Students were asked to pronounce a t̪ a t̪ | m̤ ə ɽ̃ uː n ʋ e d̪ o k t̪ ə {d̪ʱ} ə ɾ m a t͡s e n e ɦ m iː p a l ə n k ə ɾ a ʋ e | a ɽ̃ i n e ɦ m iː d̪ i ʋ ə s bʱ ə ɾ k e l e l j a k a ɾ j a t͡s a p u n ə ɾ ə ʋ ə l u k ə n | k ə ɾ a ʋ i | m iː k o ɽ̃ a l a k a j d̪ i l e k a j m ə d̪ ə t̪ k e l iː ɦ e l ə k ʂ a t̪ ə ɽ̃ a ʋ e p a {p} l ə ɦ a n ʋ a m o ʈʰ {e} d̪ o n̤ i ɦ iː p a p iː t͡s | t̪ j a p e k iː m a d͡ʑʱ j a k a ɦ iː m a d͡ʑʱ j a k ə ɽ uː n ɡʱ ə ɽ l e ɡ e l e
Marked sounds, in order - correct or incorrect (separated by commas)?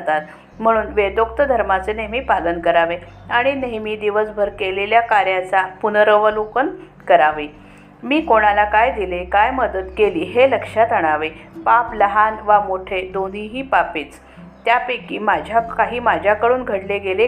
correct, correct, correct